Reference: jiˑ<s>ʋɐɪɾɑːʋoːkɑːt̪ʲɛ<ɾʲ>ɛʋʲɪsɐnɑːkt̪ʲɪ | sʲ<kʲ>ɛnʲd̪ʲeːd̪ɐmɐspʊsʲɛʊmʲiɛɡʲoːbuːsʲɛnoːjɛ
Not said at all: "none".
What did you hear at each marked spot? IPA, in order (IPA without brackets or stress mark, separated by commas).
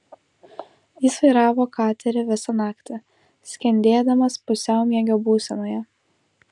s, ɾʲ, kʲ